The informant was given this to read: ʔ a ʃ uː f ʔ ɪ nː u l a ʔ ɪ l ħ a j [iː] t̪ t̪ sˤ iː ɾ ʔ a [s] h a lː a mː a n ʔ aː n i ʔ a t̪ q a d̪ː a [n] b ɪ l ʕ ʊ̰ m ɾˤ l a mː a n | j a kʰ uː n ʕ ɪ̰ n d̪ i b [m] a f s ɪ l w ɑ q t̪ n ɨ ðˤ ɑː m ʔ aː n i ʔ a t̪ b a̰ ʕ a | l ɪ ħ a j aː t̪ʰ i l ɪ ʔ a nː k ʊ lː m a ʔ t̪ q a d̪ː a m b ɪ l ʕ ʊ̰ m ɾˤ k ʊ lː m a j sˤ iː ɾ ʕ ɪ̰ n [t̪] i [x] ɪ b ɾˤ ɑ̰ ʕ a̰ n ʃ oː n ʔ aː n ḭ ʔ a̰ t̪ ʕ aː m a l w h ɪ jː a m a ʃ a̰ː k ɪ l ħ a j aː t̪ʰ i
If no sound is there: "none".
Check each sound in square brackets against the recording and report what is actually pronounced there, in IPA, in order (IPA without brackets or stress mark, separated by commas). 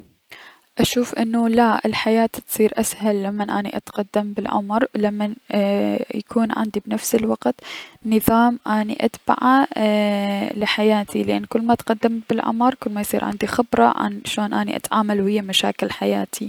aː, s, m, n, d̪, x